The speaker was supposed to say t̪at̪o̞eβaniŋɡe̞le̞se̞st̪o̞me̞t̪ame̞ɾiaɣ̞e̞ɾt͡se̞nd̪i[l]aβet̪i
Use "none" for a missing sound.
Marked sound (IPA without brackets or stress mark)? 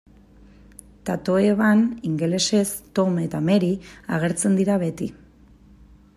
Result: ɾ